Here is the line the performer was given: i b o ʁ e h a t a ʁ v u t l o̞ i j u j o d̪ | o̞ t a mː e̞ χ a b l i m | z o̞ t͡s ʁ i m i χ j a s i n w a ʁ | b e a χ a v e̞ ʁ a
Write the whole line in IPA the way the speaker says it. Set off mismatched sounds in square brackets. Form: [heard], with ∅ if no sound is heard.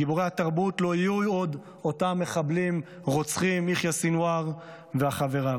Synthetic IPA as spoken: i b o ʁ e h a t a ʁ [b] u t l o̞ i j u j o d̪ | o̞ t a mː e̞ χ a b l i m | [ʁ] o̞ t͡s [χ] i m i χ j a s i n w a ʁ | [v] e a χ a v e̞ ʁ a